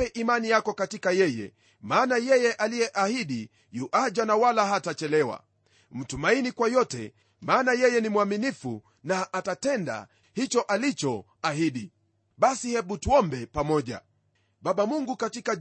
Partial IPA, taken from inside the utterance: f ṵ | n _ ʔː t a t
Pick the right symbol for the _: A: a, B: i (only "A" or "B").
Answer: A